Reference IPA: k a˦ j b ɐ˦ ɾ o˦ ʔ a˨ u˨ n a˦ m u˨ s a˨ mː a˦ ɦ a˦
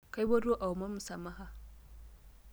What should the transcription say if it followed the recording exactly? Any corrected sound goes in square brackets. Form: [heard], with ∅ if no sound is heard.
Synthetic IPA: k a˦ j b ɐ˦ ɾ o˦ ʔ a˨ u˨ [m] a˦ m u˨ s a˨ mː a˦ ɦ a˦